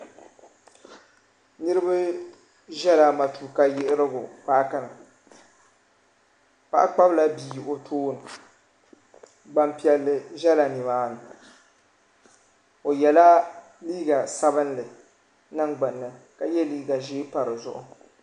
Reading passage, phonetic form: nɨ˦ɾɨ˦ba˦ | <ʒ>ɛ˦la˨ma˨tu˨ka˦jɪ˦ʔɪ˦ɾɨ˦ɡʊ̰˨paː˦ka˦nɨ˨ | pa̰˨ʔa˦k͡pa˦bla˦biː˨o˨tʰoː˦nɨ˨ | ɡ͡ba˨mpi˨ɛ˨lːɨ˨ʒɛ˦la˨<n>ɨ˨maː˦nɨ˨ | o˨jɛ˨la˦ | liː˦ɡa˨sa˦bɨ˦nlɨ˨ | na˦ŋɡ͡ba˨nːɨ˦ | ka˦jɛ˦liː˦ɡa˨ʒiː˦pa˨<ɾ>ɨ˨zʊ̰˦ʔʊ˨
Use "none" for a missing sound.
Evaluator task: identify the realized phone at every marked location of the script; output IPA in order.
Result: ʒ, n, ɾ

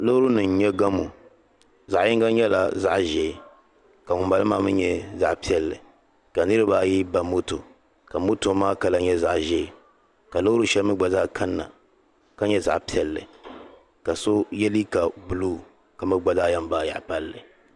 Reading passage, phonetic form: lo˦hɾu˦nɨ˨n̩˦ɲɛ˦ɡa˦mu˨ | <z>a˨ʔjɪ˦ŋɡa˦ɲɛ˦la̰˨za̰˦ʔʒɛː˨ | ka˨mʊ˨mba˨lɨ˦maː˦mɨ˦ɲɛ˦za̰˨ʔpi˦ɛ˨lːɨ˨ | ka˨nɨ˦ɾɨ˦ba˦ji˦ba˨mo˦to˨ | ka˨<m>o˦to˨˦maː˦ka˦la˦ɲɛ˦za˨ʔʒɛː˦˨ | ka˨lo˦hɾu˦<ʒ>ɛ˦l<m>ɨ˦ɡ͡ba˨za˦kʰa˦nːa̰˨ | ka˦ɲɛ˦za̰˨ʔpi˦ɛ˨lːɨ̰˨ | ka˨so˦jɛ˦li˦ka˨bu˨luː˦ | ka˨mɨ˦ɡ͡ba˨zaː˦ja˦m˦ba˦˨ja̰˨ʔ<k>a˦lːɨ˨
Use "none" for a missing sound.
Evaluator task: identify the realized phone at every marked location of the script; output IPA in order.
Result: z, m, ʃ, m, p

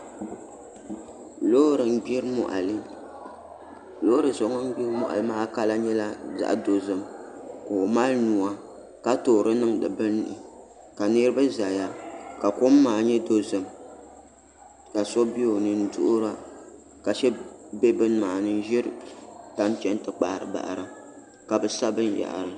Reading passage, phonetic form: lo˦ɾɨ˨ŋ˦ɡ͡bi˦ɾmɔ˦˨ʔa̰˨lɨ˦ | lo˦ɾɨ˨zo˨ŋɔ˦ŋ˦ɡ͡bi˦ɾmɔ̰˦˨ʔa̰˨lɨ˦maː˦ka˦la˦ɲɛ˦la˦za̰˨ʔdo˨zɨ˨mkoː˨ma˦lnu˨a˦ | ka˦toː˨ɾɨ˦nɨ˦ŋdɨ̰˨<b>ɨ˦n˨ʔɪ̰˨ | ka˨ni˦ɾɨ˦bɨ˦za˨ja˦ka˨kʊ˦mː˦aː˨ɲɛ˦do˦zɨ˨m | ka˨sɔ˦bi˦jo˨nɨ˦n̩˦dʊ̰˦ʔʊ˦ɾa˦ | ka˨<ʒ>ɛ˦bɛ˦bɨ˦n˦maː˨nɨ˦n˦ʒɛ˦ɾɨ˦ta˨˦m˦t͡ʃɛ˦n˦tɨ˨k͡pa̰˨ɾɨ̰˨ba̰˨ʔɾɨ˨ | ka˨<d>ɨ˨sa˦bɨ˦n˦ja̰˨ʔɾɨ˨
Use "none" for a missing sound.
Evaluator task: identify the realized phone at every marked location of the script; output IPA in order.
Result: b, ʃ, b

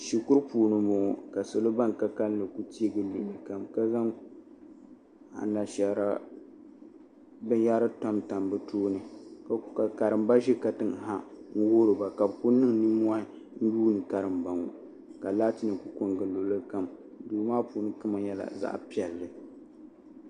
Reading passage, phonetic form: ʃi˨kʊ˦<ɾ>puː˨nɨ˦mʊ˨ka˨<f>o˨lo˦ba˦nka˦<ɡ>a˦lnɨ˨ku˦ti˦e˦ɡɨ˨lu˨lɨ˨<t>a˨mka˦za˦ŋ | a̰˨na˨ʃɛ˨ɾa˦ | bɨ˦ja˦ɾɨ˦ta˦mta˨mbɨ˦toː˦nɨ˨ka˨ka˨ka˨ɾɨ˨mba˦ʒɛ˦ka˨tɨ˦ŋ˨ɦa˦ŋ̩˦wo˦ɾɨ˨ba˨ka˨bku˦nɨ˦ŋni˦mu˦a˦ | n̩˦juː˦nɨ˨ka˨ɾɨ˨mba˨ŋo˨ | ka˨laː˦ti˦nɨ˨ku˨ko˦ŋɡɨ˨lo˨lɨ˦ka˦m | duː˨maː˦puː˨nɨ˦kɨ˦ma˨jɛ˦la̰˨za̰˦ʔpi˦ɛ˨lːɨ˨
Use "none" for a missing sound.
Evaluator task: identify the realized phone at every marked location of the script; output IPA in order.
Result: ɾ, s, k, k

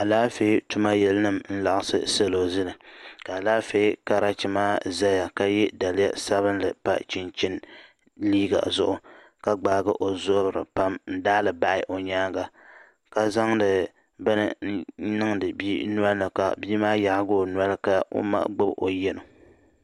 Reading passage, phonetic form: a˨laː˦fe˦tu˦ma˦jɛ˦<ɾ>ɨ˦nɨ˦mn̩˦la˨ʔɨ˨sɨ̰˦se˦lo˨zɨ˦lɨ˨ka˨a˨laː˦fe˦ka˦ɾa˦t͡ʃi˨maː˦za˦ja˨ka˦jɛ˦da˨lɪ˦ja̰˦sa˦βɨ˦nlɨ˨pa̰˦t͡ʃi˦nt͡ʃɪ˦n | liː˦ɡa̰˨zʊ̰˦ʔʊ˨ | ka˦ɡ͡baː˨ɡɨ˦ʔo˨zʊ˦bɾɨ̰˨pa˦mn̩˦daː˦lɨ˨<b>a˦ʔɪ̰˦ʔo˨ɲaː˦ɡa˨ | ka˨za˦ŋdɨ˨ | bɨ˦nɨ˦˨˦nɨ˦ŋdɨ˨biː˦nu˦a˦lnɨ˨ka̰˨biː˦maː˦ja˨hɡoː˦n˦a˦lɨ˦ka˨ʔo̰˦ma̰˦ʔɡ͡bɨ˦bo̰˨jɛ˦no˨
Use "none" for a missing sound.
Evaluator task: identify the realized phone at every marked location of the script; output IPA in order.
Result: l, b

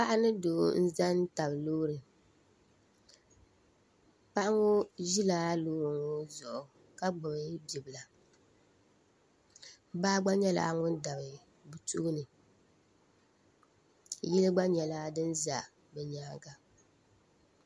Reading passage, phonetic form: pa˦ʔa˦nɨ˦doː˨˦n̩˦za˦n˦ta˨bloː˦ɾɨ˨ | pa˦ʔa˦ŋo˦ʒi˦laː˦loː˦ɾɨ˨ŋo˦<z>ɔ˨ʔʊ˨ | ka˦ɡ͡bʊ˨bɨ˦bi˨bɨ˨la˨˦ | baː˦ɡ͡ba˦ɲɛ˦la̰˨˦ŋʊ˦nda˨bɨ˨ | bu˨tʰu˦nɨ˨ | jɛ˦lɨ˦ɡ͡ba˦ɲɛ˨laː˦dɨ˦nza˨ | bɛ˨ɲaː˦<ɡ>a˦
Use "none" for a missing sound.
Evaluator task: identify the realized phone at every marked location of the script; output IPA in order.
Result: z, ɡ

